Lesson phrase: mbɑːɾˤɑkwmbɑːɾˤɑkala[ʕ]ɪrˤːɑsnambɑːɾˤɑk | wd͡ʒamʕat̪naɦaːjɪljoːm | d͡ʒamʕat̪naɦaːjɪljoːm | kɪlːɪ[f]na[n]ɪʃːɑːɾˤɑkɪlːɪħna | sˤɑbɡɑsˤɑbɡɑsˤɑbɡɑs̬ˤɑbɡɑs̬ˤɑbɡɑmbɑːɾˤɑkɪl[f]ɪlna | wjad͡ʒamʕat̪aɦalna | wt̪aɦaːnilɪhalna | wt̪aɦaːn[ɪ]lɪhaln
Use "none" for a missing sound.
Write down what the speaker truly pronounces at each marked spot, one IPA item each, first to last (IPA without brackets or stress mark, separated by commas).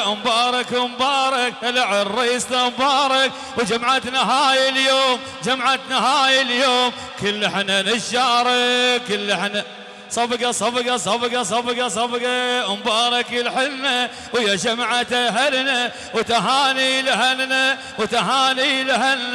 ʕ, ħ, n, ħ, i